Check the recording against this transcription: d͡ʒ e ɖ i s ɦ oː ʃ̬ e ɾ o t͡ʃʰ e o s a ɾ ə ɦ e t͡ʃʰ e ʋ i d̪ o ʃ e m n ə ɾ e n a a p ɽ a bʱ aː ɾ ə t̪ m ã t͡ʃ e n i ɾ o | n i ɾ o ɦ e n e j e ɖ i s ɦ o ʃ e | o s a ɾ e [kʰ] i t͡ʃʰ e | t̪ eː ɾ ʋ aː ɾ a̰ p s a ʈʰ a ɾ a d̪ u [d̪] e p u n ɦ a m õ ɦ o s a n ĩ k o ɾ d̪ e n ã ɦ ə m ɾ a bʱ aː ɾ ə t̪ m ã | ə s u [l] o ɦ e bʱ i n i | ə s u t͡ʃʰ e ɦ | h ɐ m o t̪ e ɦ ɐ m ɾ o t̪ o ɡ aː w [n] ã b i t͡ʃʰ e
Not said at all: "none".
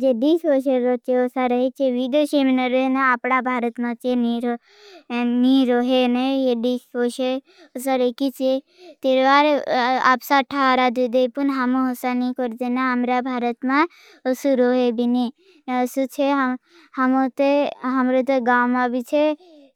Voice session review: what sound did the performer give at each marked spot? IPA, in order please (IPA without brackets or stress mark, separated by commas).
k, d̪, ɾ, m